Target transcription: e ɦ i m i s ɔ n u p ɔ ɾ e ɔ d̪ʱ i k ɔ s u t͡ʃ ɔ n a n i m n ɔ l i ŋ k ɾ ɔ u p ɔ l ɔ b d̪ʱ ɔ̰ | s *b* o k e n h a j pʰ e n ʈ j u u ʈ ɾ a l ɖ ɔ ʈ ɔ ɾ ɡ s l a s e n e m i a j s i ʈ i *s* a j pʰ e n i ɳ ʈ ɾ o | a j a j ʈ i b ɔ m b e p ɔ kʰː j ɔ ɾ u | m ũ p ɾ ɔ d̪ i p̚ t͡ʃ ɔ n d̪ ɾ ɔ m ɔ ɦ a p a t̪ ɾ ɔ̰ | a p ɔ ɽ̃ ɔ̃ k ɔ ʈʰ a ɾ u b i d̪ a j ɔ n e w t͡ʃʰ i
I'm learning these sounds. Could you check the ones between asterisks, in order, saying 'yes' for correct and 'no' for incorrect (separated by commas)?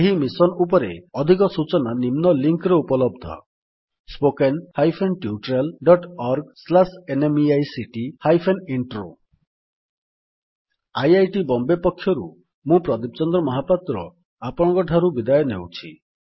no, no